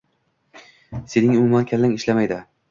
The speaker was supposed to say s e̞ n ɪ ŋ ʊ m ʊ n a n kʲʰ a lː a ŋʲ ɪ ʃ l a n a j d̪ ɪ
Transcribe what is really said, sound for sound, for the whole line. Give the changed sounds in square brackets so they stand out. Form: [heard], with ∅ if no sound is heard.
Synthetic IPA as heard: s e̞ n ɪ ŋ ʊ m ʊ [m] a n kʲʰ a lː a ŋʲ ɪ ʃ l a [m] a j d̪ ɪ